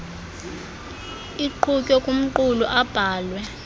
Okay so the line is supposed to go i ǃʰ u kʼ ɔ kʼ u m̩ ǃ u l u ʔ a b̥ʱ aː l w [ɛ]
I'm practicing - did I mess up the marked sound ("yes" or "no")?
no